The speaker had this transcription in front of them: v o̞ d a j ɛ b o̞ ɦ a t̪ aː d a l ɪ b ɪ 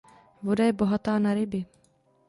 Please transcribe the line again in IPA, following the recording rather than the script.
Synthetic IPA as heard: v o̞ d a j ɛ b o̞ ɦ a t̪ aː n a ɾ ɪ b ɪ